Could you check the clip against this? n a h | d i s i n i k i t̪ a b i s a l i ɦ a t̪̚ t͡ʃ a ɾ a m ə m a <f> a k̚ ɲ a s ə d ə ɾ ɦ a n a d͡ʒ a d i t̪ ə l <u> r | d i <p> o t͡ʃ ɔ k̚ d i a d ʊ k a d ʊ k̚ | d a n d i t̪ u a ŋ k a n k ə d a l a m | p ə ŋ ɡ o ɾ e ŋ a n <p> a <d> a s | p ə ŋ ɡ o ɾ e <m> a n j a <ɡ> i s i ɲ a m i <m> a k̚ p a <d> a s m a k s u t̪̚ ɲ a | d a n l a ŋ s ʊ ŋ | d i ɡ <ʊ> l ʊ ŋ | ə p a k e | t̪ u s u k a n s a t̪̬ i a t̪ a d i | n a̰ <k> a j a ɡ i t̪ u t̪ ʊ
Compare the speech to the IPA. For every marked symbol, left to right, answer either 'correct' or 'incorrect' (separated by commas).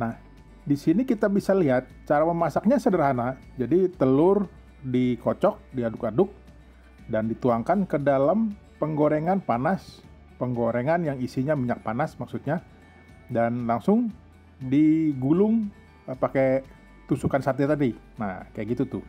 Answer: incorrect, incorrect, incorrect, correct, incorrect, incorrect, incorrect, incorrect, incorrect, incorrect, correct